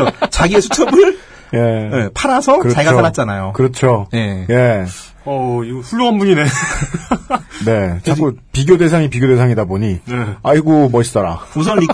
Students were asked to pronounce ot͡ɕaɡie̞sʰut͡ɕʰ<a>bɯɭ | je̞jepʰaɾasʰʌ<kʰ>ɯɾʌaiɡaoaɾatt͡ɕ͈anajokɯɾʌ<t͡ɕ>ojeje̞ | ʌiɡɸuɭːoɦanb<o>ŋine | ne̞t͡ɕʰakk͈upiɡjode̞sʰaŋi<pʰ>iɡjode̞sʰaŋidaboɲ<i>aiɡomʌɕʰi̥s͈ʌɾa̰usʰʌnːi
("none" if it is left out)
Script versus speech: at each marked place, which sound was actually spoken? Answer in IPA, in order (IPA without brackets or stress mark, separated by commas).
ʌ, k, t͡ɕʰ, u, p, i